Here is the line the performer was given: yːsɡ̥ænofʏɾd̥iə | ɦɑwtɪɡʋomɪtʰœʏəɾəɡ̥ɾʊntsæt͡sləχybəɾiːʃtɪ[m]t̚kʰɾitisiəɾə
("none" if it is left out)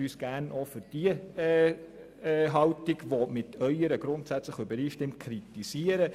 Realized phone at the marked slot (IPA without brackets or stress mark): m